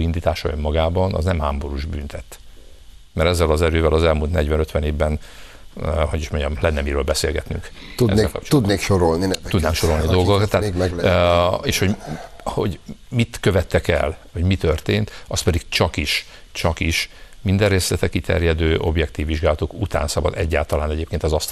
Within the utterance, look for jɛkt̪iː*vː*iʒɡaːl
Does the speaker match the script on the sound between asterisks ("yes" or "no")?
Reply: yes